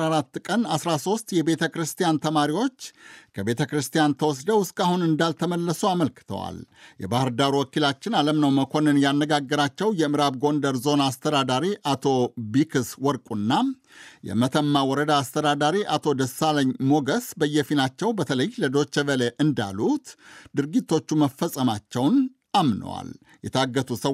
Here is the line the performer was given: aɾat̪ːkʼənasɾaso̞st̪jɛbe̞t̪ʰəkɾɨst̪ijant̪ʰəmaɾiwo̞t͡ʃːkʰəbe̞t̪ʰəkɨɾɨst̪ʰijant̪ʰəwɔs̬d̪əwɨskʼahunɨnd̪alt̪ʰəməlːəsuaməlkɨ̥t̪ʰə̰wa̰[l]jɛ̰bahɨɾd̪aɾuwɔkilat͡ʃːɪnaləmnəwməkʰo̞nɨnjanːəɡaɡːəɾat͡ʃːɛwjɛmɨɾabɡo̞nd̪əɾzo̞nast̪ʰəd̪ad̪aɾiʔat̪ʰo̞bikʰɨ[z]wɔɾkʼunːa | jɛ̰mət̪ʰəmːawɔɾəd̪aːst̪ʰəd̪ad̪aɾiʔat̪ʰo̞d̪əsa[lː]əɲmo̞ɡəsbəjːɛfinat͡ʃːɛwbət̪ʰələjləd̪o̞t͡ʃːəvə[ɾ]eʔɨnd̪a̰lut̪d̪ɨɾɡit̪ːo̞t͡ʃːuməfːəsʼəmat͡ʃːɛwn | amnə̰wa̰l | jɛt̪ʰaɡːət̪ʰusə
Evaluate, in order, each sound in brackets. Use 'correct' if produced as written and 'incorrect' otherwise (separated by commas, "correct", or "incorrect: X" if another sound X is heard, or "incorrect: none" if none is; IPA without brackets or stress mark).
correct, incorrect: s, incorrect: l, incorrect: l